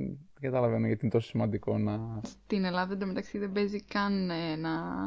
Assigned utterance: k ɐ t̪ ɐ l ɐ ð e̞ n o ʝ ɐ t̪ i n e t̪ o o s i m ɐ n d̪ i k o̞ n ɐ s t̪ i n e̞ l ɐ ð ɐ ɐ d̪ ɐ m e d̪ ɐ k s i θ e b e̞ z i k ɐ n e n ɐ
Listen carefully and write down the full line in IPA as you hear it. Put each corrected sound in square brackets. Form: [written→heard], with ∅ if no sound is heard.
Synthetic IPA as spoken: [k→ɡ] ɐ t̪ ɐ l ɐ [ð→v] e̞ n o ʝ ɐ t̪ i n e t̪ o o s i m ɐ n d̪ i k o̞ n ɐ s t̪ i n e̞ l ɐ ð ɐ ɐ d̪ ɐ m e [d̪→t̪] ɐ k s i [θ→ð] e b e̞ z i k ɐ n e n ɐ